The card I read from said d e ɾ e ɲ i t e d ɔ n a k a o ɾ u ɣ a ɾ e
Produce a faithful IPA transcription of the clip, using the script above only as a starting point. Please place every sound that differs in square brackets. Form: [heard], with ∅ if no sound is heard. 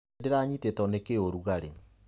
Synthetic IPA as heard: d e ɾ [a] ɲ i t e [t] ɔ n [e] k [e] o ɾ u ɣ a ɾ e